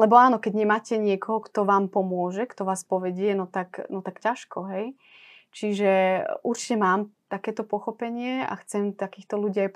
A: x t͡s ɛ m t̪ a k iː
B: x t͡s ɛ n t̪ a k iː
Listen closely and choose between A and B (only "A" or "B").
A